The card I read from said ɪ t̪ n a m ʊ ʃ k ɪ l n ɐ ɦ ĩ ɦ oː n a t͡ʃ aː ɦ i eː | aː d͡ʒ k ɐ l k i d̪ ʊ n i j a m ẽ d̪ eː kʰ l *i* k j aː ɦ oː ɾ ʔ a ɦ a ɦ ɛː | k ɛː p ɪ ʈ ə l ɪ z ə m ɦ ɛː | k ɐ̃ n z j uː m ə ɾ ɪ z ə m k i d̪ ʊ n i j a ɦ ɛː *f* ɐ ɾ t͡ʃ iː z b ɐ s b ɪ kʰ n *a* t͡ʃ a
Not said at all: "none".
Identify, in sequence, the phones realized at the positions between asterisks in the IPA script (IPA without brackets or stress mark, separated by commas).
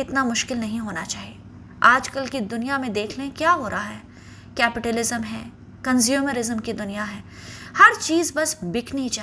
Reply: e, h, i